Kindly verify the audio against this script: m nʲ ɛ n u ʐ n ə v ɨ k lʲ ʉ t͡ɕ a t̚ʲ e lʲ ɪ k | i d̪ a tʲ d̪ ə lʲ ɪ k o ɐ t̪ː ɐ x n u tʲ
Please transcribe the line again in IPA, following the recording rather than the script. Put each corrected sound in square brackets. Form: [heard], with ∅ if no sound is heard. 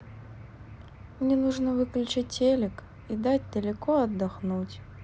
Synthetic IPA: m nʲ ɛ n u ʐ n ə v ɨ k lʲ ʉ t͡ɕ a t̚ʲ e lʲ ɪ k | i d̪ a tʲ d̪ ə lʲ ɪ k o ɐ [d̪ː] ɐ x n u tʲ